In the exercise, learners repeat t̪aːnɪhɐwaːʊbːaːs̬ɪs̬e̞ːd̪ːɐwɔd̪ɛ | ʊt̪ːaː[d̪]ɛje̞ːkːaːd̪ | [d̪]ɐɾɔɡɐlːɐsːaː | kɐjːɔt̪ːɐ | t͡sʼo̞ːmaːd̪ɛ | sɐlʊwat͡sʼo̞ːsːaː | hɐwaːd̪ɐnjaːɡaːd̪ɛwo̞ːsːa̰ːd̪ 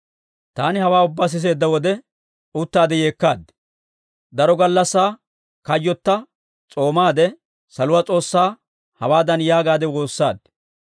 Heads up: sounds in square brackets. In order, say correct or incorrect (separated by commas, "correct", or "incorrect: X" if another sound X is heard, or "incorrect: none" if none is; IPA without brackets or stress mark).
correct, correct